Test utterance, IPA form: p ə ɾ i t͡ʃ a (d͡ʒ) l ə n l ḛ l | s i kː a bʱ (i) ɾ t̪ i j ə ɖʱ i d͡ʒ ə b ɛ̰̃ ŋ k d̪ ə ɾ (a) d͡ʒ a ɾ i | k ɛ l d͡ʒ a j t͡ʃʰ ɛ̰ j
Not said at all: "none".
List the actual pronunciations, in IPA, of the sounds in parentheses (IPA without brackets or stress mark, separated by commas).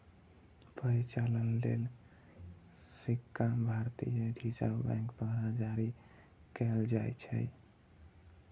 none, a, a